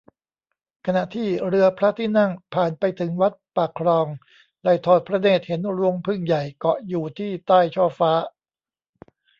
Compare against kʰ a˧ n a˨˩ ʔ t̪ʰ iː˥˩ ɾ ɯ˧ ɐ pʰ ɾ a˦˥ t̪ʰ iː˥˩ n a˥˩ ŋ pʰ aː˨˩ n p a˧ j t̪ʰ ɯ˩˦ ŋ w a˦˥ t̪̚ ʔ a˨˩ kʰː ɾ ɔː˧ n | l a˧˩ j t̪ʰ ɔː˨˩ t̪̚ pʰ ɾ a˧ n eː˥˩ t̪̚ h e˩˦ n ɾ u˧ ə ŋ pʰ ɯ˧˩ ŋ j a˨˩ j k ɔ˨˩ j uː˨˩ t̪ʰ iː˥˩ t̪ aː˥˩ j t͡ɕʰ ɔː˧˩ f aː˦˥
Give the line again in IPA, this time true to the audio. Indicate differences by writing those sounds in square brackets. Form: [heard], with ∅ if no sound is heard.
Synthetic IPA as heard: kʰ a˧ n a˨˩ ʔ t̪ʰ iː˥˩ ɾ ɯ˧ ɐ pʰ ɾ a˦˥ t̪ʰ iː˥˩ n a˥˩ ŋ pʰ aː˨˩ n p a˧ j t̪ʰ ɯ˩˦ ŋ w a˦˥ t̪̚ [p] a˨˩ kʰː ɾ ɔː˧ [ŋ] | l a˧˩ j t̪ʰ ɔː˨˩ t̪̚ pʰ ɾ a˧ n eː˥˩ t̪̚ h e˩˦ n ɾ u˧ ə ŋ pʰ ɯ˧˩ ŋ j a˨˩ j k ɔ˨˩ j uː˨˩ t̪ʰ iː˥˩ t̪ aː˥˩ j t͡ɕʰ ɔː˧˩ f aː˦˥